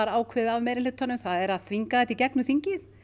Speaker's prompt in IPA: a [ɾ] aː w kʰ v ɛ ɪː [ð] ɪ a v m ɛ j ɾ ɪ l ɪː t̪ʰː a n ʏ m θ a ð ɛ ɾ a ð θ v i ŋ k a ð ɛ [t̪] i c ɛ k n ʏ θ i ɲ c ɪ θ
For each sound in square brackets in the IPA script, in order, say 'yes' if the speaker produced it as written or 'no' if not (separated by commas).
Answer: yes, yes, yes